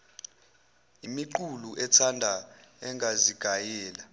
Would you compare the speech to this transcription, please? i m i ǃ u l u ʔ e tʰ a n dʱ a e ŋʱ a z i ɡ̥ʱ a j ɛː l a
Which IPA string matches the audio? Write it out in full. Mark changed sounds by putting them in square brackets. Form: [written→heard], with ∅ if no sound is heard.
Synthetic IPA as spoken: i m i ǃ u l u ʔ [e→ɛ] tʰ a n dʱ a [e→ɛ] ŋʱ a z i ɡ̥ʱ a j ɛː l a